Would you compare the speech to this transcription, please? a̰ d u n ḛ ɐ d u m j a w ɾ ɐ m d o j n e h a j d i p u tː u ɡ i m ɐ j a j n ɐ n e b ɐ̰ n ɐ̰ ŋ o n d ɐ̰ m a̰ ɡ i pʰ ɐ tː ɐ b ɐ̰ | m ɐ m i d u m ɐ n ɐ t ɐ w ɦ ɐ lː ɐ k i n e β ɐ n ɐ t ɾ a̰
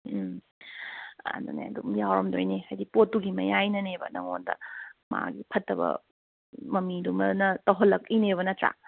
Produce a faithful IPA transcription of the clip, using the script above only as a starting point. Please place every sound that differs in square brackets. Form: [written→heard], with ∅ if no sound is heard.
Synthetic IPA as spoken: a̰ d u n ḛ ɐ d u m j a w ɾ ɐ m d o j n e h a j d i p [u→o] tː u ɡ i m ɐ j a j n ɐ n e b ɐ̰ n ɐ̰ ŋ o n d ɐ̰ m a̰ ɡ i pʰ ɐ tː ɐ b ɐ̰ | m ɐ m i d u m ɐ n ɐ t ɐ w ɦ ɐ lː ɐ k i n e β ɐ n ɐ t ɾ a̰